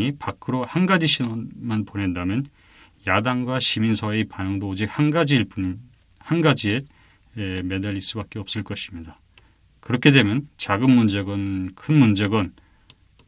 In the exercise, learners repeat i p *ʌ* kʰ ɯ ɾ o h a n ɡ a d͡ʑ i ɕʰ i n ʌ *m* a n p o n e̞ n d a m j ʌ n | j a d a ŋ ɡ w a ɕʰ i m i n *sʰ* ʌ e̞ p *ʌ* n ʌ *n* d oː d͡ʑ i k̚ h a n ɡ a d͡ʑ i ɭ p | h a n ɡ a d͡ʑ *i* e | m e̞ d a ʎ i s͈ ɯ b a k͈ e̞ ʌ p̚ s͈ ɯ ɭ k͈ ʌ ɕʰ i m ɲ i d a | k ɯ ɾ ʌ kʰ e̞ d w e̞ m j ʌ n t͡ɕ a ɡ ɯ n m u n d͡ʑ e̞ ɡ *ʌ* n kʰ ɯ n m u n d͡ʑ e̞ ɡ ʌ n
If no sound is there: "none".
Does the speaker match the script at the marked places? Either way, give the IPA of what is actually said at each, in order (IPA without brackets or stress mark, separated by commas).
a, m, sʰ, a, ŋ, i, ʌ